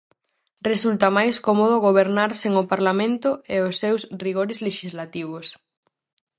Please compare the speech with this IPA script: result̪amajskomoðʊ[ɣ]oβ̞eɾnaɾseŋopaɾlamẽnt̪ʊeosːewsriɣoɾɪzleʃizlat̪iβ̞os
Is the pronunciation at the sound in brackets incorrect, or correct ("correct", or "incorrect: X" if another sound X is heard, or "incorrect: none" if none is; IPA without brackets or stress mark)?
correct